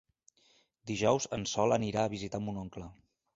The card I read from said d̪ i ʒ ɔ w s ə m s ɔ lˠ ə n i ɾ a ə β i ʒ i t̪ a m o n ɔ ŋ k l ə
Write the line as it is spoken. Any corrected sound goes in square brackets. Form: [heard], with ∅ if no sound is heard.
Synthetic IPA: d̪ i ʒ ɔ w [z] ə [n] s ɔ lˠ ə n i ɾ a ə β i [z] i t̪ a m [u] n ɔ ŋ k l ə